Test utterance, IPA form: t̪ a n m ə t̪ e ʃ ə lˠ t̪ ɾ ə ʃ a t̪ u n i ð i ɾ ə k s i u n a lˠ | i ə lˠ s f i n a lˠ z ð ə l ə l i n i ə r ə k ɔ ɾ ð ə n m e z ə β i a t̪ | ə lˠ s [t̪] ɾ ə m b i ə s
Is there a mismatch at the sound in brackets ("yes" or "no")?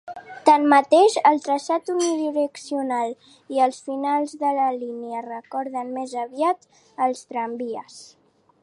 no